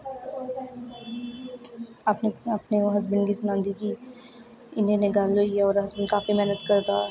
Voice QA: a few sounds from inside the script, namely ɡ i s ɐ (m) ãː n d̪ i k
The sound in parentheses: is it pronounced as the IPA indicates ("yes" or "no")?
no